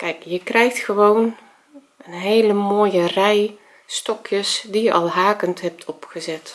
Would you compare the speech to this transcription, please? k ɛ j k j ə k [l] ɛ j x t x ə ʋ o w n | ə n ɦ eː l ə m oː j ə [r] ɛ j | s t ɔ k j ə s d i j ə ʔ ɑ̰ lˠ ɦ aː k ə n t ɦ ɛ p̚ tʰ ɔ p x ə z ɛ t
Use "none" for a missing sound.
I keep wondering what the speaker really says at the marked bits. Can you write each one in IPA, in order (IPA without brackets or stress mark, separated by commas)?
r, r